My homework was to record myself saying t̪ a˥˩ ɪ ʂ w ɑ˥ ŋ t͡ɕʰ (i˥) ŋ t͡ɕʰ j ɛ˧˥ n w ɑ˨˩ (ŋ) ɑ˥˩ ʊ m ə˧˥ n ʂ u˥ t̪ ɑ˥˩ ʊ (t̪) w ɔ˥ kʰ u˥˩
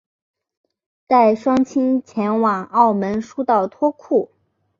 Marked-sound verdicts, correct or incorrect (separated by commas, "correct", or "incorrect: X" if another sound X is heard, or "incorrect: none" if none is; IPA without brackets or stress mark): correct, correct, incorrect: t̪ʰ